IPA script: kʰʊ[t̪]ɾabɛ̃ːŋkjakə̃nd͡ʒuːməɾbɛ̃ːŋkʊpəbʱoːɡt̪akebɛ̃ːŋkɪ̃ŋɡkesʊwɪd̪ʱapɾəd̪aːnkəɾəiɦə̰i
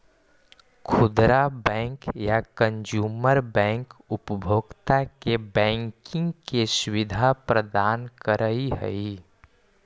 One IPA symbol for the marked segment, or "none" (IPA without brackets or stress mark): d̪